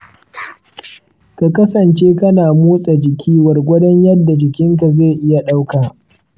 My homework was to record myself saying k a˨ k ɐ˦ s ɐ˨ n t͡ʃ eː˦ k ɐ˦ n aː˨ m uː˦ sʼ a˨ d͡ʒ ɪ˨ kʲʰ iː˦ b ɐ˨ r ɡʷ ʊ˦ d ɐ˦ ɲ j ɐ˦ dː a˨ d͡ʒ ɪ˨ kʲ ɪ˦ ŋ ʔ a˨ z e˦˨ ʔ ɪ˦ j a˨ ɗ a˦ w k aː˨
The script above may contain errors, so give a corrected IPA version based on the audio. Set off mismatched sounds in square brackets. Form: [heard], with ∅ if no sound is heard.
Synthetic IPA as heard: k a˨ k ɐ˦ s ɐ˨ n t͡ʃ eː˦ k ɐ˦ n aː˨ m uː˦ sʼ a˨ d͡ʒ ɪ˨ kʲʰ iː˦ [w] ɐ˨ r ɡʷ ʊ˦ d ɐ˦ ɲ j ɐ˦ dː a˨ d͡ʒ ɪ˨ kʲ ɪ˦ ŋ [k] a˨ z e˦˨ ʔ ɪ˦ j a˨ ɗ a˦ w k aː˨